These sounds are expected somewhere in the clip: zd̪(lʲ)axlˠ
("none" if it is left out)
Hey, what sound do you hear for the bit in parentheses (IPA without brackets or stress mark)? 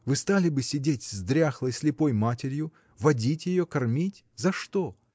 ɾʲ